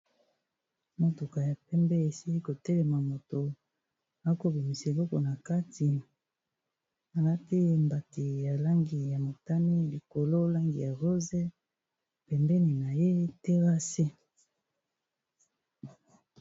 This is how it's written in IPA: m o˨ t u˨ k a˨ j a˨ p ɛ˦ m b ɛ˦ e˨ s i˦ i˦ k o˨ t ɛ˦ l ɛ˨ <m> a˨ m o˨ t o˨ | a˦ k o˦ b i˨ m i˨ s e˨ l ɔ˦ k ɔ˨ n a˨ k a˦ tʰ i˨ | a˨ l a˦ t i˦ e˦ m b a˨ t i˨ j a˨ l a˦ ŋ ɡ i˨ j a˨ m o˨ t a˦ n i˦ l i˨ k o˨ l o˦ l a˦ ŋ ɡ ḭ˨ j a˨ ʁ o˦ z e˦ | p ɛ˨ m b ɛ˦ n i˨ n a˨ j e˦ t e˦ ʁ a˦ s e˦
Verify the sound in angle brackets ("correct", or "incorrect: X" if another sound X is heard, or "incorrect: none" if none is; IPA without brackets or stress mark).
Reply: correct